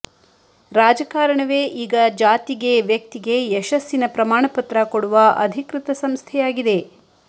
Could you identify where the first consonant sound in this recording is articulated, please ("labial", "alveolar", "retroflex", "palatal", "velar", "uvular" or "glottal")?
alveolar